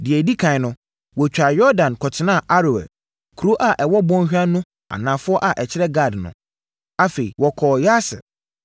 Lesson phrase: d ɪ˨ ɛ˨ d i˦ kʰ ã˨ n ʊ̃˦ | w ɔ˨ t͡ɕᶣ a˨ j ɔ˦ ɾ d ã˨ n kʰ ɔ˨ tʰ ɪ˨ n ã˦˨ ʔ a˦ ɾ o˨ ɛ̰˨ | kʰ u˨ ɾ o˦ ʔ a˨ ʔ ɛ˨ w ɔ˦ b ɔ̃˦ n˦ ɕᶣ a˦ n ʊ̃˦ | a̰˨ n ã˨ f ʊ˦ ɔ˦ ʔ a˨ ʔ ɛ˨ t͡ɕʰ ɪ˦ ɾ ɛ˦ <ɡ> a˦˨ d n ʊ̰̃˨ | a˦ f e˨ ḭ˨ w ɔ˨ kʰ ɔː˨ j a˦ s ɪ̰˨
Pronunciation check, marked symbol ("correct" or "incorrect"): correct